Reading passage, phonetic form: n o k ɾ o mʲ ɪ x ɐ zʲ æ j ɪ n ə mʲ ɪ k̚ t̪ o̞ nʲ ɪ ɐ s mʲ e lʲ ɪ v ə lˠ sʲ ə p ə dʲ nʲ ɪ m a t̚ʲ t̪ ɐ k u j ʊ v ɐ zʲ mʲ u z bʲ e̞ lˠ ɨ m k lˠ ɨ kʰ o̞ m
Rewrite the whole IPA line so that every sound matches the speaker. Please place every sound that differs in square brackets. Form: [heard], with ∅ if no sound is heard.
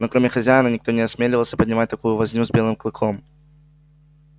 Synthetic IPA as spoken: n o k ɾ o mʲ ɪ x ɐ zʲ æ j ɪ n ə [nʲ] ɪ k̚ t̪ o̞ nʲ ɪ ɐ s mʲ e lʲ ɪ v ə lˠ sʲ ə p ə dʲ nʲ ɪ m a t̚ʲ t̪ ɐ k u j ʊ v ɐ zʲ [nʲ] u z bʲ e̞ lˠ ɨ m k lˠ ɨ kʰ o̞ m